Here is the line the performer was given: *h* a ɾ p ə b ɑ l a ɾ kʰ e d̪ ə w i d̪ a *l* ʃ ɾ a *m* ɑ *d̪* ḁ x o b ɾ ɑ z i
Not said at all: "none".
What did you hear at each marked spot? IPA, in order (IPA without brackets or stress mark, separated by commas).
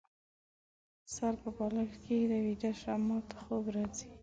s, none, m, t̪